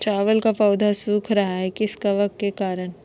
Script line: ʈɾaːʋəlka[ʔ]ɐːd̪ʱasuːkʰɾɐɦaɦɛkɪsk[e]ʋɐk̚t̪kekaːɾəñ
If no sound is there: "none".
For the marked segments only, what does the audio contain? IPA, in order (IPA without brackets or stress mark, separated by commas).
p, a